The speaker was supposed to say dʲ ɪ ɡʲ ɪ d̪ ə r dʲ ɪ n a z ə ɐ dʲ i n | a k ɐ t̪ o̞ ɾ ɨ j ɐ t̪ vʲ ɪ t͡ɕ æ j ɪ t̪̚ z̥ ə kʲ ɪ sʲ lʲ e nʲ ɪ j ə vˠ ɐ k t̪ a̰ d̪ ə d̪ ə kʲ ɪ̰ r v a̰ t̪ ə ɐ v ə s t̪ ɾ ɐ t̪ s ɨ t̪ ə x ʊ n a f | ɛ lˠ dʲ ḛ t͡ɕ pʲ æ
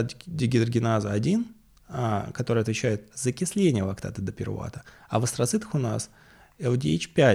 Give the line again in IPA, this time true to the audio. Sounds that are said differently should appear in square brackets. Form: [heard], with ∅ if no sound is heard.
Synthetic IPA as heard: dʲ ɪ ɡʲ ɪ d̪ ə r [ɡʲ] ɪ n a z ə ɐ dʲ i n | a k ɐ t̪ o̞ ɾ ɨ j ɐ t̪ vʲ ɪ t͡ɕ æ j ɪ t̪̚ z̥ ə kʲ ɪ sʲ lʲ e nʲ ɪ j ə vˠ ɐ k t̪ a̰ [t̪] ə d̪ ə [pʲ] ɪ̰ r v a̰ t̪ ə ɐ v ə s t̪ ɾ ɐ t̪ s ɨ t̪ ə x ʊ n a [s] | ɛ lˠ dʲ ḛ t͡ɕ pʲ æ